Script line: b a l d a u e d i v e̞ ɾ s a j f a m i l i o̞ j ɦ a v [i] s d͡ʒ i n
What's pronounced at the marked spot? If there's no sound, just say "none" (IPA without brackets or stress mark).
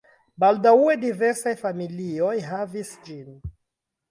i